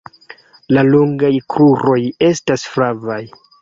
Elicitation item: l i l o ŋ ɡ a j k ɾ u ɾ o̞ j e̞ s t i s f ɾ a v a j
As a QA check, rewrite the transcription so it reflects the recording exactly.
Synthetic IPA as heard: l a l o ŋ ɡ a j k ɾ u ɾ o̞ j e̞ s t a s f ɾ a v a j